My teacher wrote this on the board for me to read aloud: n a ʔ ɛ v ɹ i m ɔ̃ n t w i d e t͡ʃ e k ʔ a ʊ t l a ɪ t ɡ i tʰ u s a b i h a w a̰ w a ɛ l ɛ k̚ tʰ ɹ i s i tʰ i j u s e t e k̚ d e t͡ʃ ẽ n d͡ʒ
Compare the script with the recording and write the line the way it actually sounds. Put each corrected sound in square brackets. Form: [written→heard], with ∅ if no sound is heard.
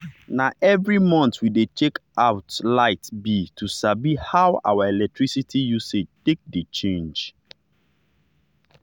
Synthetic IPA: n a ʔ ɛ v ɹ i m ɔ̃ n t w i d e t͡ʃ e k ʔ a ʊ t l a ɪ t [ɡ→b] i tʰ u s a b i h a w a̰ w a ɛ l ɛ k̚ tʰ ɹ i s i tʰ i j u s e t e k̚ d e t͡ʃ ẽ n d͡ʒ